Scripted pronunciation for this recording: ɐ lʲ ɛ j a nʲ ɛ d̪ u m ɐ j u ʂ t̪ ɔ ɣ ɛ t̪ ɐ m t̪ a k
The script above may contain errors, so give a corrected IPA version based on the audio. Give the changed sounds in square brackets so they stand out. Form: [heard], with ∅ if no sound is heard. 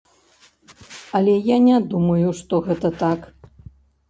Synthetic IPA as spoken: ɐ lʲ ɛ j a nʲ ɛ d̪ u m ɐ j u ʂ t̪ ɔ ɣ ɛ t̪ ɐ [∅] t̪ a k

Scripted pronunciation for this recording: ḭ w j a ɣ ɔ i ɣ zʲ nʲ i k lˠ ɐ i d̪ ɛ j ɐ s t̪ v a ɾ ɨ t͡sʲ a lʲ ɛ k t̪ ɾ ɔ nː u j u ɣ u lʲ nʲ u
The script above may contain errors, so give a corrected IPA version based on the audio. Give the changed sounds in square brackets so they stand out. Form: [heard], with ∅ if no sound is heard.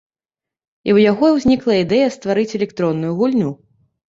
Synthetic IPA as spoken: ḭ w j a ɣ ɔ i [w] zʲ nʲ i k lˠ ɐ i d̪ ɛ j ɐ s t̪ v a ɾ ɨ t͡sʲ [ɛ] lʲ ɛ k t̪ ɾ ɔ nː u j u ɣ u lʲ nʲ u

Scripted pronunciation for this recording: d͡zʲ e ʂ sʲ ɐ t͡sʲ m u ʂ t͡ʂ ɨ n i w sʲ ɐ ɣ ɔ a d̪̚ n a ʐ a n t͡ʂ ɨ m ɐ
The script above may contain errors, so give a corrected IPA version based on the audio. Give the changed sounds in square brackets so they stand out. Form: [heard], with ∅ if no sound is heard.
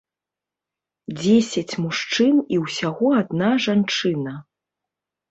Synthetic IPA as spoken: d͡zʲ e [∅] sʲ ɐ t͡sʲ m u ʂ t͡ʂ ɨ n i w sʲ [a] ɣ ɔ a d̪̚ n a ʐ a n t͡ʂ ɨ [n] ɐ

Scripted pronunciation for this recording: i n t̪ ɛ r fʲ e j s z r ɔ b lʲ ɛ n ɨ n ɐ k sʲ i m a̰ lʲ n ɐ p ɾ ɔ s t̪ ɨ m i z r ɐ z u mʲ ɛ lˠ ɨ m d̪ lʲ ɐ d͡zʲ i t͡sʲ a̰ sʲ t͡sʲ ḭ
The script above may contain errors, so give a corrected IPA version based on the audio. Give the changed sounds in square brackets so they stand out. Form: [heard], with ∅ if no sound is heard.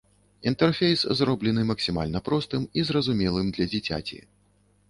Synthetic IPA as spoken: i n t̪ ɛ r fʲ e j s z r ɔ b lʲ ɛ n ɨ [m] ɐ k sʲ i m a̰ lʲ n ɐ p ɾ ɔ s t̪ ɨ m i z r ɐ z u mʲ ɛ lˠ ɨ m d̪ lʲ ɐ d͡zʲ i t͡sʲ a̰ [∅] t͡sʲ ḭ

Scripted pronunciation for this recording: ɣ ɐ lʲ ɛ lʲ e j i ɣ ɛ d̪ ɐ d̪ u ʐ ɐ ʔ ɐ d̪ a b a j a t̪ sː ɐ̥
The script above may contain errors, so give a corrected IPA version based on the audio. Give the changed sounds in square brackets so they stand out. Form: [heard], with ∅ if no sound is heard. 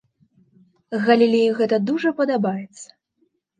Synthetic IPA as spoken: ɣ ɐ lʲ [i] lʲ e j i ɣ ɛ [t̪] ɐ d̪ u ʐ ɐ [p] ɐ d̪ a b a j [ɛ] t̪ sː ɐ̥

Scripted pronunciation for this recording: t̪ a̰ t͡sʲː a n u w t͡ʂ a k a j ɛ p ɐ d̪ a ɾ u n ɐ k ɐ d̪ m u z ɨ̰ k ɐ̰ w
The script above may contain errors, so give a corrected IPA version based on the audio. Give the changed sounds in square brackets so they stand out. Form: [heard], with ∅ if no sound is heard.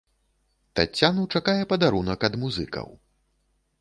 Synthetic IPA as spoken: t̪ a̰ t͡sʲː a n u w t͡ʂ a k a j ɛ p ɐ d̪ a ɾ u n ɐ k ɐ d̪ m u z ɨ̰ k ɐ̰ w

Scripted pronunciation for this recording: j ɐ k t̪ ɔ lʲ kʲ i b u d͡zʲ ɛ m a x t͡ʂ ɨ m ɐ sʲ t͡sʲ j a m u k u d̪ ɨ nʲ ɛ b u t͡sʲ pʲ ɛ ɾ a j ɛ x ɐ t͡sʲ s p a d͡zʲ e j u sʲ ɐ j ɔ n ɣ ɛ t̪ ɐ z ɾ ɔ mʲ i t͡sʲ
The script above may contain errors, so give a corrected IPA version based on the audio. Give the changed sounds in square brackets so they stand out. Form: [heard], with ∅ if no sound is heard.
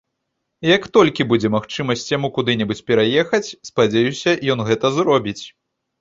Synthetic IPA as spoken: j ɐ k t̪ ɔ lʲ kʲ i b u d͡zʲ ɛ m a x t͡ʂ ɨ m ɐ sʲ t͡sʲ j a m u k u d̪ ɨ nʲ ɛ b u t͡sʲ pʲ ɛ ɾ a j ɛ x ɐ t͡sʲ s p a d͡zʲ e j u sʲ ɐ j ɔ n ɣ ɛ t̪ ɐ z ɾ ɔ [bʲ] i t͡sʲ

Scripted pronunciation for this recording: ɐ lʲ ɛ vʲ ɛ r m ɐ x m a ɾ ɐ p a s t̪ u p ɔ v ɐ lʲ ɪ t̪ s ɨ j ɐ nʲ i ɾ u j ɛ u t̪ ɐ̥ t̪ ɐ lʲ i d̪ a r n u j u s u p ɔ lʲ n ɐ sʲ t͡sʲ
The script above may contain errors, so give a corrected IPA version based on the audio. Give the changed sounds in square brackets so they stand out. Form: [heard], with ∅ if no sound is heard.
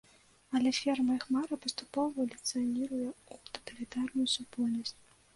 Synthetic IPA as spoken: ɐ lʲ ɛ [fʲ] ɛ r m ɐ x m a ɾ ɐ p [ɐ] s t̪ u p ɔ v ɐ lʲ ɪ t̪ s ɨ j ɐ nʲ i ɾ u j ɛ u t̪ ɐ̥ t̪ ɐ lʲ i [t̪] a r n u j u s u p ɔ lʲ n ɐ sʲ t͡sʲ

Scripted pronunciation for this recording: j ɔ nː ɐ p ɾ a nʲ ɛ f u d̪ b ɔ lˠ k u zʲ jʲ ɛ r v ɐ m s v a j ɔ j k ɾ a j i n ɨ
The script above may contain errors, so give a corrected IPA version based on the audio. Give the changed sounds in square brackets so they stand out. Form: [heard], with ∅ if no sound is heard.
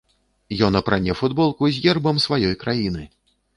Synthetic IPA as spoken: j ɔ [n] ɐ p ɾ a nʲ ɛ f u d̪ b ɔ lˠ k u zʲ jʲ ɛ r [b] ɐ m s v a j ɔ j k ɾ a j i n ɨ

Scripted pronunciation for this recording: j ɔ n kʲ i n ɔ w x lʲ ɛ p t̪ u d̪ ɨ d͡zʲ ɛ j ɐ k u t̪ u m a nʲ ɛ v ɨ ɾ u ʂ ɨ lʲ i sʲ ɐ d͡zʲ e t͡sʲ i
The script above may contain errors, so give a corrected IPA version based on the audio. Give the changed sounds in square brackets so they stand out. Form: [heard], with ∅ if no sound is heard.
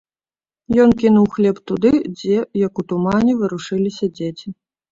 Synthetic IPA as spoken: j ɔ n kʲ i n [u] w x lʲ ɛ p t̪ u d̪ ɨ d͡zʲ ɛ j ɐ k u t̪ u m a nʲ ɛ v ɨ ɾ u ʂ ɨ lʲ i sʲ ɐ d͡zʲ e t͡sʲ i

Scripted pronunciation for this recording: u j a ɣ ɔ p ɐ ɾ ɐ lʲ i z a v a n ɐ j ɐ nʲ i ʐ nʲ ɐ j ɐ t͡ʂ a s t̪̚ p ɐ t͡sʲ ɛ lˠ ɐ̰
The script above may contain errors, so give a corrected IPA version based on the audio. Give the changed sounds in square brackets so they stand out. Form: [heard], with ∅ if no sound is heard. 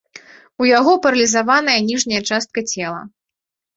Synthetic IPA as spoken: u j a ɣ ɔ p ɐ ɾ ɐ lʲ i z a v a n ɐ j ɐ nʲ i ʐ nʲ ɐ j ɐ t͡ʂ a s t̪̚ [k] ɐ t͡sʲ ɛ lˠ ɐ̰

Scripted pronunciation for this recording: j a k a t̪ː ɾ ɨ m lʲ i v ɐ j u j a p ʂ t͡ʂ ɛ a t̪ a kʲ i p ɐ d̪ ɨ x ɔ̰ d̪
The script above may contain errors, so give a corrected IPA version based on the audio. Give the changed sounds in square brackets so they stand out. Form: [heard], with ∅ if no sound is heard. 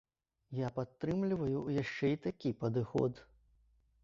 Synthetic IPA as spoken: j a [p] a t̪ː ɾ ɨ m lʲ i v ɐ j u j a [∅] ʂ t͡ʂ ɛ [i] t̪ a kʲ i p ɐ d̪ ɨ x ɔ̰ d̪

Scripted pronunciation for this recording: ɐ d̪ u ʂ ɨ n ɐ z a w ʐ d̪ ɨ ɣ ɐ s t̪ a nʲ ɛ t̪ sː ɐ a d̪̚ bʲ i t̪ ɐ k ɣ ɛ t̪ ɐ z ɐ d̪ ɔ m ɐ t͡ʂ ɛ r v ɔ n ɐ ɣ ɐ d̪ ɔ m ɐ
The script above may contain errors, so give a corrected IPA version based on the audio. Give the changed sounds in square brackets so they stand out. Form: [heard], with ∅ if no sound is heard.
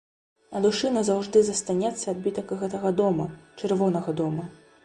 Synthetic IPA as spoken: ɐ d̪ u ʂ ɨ n ɐ z a w ʐ d̪ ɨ [z] ɐ s t̪ a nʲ ɛ t̪ sː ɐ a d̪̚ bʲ i t̪ ɐ k ɣ ɛ t̪ ɐ [ɣ] ɐ d̪ ɔ m ɐ t͡ʂ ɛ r v ɔ n ɐ ɣ ɐ d̪ ɔ m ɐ

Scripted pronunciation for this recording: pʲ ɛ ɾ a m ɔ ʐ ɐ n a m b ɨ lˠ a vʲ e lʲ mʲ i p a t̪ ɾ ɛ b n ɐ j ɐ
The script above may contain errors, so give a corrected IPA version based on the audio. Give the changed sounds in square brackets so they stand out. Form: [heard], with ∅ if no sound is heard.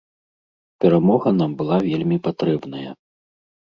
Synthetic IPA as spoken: pʲ ɛ ɾ a m ɔ [ɣ] ɐ n a m b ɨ lˠ a vʲ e lʲ mʲ i p a t̪ ɾ ɛ b n ɐ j ɐ

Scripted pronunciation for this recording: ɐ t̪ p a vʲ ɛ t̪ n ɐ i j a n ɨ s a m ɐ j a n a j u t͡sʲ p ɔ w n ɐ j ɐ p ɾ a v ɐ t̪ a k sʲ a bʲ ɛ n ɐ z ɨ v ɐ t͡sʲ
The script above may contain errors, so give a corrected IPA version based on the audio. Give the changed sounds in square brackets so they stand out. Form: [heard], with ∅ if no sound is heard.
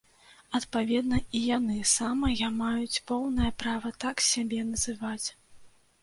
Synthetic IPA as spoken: ɐ t̪ p a vʲ ɛ [d̪] n ɐ i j a n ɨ s a m ɐ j a [m] a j u t͡sʲ p ɔ w n ɐ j ɐ p ɾ a v ɐ t̪ a k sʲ a bʲ ɛ n ɐ z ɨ v [a] t͡sʲ

